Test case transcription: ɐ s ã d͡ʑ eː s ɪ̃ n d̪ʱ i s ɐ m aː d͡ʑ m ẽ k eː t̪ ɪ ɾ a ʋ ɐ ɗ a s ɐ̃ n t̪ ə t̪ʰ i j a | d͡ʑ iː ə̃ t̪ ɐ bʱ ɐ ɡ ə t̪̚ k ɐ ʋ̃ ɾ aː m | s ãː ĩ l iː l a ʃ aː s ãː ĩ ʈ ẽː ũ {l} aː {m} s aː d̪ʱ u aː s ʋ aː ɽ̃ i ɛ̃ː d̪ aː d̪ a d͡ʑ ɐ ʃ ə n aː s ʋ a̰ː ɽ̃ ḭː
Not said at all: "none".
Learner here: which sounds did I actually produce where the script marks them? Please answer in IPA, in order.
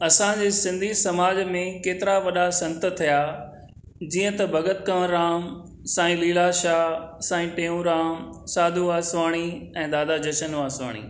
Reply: ɾ, m

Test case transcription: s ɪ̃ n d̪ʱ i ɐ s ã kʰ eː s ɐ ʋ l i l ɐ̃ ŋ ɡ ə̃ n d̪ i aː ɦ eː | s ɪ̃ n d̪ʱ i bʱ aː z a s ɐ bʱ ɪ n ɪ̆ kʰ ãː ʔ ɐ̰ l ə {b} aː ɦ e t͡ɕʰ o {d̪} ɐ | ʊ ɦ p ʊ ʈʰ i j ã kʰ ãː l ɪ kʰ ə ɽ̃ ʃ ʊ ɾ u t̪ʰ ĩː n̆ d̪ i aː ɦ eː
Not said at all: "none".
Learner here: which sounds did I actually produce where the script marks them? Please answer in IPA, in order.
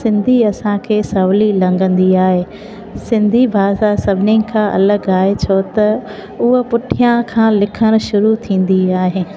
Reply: ɡ, t̪

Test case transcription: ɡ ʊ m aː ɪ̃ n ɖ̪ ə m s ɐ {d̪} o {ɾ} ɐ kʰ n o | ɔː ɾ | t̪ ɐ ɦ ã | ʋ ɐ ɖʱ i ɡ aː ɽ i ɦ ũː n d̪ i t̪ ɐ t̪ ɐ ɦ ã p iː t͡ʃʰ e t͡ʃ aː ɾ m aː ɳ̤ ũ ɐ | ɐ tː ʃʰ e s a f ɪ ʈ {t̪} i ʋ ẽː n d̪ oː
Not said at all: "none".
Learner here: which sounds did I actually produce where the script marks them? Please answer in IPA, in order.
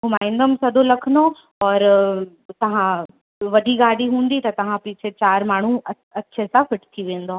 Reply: d̪, l, t̪ʰ

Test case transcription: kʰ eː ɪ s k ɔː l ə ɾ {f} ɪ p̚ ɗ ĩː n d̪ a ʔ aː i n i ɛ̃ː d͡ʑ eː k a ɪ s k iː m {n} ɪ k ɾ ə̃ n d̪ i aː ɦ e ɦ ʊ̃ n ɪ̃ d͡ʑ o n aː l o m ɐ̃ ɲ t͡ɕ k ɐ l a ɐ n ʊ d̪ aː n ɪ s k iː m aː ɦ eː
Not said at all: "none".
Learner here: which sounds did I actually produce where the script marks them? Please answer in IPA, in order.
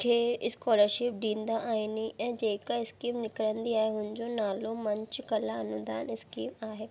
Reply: ʃ, n

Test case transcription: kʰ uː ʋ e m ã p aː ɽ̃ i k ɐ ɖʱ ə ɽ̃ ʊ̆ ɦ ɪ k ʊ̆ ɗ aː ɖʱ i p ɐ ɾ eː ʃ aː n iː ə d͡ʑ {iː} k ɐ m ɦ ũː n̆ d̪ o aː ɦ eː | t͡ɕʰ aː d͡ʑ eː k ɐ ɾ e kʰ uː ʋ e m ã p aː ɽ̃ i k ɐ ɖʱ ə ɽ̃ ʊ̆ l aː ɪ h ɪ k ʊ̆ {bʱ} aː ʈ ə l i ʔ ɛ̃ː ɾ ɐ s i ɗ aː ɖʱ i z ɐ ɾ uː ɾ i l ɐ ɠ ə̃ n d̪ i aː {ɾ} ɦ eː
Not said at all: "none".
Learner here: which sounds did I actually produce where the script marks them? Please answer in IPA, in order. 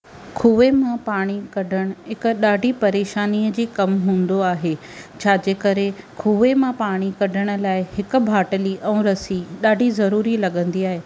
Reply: iː, bʱ, none

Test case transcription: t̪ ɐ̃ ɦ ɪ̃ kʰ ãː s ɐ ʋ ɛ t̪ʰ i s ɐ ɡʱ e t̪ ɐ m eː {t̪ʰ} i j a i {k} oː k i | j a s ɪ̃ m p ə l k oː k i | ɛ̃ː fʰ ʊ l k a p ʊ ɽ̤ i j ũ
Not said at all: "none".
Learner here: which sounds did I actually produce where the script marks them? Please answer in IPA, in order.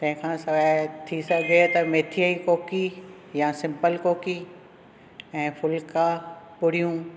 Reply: t̪ʰ, k

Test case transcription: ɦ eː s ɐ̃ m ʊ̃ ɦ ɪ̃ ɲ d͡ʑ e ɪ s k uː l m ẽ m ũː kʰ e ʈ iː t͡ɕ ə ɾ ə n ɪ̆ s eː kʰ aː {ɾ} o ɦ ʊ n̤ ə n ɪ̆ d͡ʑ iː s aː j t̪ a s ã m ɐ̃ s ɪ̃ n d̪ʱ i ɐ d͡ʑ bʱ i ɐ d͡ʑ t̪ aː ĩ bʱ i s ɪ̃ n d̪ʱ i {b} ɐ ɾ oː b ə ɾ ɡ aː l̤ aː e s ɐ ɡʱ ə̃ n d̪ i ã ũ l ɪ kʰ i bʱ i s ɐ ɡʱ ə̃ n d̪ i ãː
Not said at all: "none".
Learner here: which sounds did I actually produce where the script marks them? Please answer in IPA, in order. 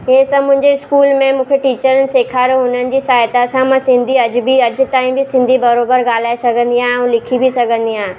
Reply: ɾ, b

